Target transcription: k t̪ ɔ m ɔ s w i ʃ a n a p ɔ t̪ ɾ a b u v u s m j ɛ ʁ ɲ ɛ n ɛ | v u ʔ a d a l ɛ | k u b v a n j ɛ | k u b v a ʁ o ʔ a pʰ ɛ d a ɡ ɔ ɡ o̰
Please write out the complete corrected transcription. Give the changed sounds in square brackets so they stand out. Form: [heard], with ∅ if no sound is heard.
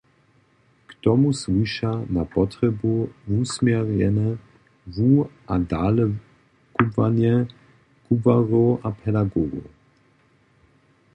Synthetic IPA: k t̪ ɔ m [u] s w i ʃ a n a p ɔ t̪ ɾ [ɛ] b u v u s m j ɛ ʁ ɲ ɛ n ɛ | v u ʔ a d a l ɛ | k u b v a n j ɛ | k u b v a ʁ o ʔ a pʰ ɛ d a ɡ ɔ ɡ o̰